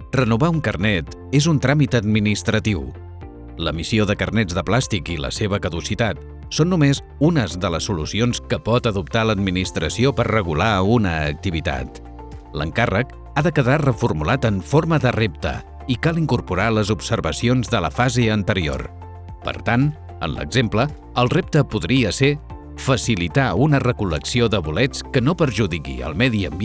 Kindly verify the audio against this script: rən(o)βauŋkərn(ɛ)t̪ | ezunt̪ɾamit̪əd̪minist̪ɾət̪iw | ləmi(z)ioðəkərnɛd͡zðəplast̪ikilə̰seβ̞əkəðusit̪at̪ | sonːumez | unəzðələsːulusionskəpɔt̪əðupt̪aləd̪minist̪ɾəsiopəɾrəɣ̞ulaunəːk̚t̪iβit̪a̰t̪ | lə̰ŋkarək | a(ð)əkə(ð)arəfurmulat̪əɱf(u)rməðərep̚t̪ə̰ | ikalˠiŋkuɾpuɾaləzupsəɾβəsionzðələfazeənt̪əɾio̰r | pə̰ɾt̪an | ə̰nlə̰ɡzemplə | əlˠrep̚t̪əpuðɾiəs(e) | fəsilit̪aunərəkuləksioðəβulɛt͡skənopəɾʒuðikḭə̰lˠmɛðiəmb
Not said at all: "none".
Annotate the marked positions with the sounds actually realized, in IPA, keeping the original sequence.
u, ɛ, s, ð, ð, o, e

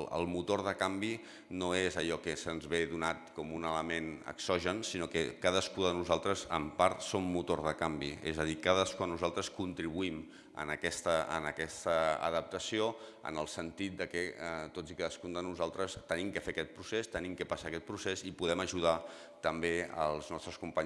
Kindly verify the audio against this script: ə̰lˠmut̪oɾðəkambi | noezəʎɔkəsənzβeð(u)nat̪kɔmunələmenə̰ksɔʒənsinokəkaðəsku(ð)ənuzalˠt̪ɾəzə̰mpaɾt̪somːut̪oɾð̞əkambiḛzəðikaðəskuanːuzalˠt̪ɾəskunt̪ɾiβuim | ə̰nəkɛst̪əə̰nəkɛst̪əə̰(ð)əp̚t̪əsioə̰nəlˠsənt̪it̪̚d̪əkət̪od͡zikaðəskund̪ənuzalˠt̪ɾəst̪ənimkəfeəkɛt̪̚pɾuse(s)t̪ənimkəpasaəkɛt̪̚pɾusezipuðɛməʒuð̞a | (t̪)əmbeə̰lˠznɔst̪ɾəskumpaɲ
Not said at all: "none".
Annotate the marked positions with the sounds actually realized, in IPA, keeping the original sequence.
u, ð, ð, s, t̪

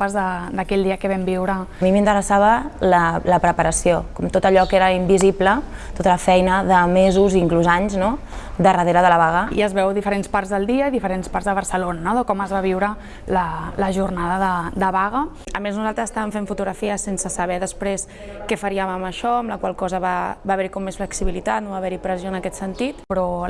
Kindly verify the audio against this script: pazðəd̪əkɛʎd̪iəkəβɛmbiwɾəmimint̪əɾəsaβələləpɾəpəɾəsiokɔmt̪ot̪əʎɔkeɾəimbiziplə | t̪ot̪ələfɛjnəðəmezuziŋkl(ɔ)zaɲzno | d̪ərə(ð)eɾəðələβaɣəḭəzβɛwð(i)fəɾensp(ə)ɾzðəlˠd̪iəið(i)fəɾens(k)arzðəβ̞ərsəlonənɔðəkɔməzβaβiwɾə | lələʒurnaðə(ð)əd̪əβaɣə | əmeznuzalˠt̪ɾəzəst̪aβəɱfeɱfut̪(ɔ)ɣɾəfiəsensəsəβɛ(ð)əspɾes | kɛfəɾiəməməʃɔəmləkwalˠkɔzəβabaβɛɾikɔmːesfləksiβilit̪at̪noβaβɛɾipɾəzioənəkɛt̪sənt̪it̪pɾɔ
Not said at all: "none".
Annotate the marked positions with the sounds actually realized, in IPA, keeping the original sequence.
u, ð, i, a, i, p, ð, u, ð

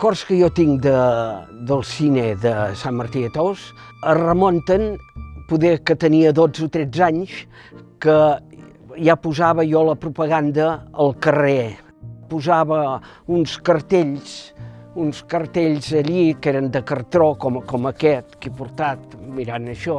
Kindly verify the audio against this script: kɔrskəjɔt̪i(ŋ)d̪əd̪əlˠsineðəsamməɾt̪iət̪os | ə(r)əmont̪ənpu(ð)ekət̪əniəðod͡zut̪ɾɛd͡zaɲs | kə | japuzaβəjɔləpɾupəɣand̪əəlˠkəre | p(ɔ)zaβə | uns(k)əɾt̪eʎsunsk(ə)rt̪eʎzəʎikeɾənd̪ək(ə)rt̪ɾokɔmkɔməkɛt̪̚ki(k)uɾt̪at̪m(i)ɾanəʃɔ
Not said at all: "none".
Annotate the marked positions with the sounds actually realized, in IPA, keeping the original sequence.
ŋ, r, ð, u, k, ə, ə, p, i

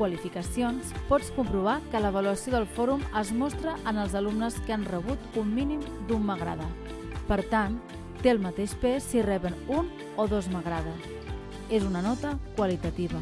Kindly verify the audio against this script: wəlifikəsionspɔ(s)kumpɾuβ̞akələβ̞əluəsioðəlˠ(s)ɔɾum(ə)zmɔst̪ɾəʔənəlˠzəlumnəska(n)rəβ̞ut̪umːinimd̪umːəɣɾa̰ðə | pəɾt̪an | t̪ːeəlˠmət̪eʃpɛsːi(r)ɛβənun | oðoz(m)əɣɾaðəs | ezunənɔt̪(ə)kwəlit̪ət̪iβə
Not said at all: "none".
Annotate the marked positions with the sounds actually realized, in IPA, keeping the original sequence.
t͡s, f, ə, n, r, m, ə

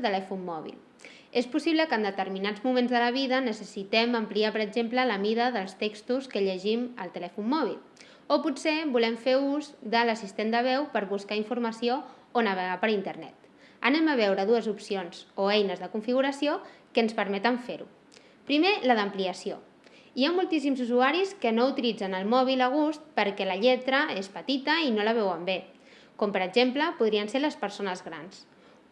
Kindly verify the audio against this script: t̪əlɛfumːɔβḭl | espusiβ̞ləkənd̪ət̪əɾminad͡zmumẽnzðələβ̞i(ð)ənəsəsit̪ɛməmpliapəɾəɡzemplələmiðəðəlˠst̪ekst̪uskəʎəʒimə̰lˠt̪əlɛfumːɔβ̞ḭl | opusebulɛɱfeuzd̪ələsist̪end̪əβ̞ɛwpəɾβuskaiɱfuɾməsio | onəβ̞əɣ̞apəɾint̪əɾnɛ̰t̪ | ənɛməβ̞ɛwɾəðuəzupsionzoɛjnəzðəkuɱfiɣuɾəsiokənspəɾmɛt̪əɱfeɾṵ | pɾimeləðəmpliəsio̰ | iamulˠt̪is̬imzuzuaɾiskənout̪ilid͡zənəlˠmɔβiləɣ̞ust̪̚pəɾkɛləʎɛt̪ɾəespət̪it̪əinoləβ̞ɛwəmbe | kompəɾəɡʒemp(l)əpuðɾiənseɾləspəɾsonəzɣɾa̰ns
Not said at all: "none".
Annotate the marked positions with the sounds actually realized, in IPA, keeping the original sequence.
ð, l

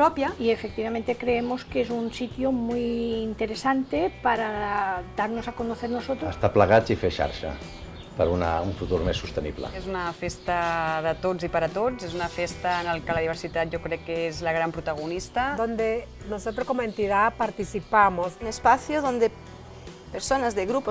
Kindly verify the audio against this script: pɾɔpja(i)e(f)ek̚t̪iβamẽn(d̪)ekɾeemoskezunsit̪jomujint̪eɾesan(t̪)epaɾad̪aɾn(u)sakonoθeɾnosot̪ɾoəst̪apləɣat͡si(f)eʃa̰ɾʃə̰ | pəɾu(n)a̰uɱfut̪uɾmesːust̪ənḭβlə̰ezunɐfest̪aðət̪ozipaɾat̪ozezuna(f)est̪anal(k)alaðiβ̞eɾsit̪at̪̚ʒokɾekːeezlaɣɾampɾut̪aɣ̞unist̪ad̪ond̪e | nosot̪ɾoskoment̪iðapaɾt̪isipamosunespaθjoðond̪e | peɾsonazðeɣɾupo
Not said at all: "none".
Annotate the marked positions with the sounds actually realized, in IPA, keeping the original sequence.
i, f, t̪, t̪, o, f, n, f, k

